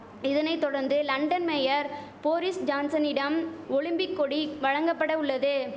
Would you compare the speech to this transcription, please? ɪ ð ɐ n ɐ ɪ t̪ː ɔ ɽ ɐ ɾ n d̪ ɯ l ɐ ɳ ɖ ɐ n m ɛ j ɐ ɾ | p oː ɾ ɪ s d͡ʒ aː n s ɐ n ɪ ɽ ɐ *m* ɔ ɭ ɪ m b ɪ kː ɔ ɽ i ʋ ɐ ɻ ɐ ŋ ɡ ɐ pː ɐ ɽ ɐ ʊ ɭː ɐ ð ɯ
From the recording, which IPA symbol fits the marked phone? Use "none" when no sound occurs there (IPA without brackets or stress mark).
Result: m